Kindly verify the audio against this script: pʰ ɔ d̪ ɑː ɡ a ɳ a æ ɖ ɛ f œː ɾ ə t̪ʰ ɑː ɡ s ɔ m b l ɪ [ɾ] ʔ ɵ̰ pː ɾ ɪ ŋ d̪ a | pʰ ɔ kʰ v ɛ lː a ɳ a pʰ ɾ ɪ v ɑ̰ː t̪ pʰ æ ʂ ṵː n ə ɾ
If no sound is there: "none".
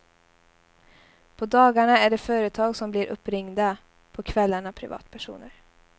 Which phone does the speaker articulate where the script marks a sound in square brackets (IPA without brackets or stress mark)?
ɾ